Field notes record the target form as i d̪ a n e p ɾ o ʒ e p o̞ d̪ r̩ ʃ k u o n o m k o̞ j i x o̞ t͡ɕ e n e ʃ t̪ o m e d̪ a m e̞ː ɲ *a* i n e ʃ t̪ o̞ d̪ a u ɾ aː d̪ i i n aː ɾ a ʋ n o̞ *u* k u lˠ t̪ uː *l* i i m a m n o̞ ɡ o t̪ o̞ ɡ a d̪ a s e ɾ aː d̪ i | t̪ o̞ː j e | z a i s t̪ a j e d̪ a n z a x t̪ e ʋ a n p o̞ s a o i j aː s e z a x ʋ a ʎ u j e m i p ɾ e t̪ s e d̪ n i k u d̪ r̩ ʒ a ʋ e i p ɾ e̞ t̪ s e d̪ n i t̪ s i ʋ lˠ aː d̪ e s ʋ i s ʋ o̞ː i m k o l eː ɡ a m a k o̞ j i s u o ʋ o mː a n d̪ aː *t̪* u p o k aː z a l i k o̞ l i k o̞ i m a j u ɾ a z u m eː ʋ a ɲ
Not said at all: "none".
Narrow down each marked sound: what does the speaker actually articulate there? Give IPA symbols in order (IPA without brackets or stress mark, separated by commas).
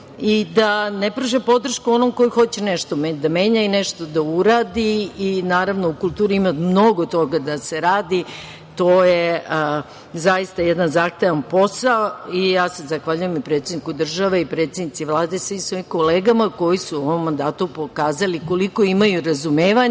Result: a, u, ɾ, t̪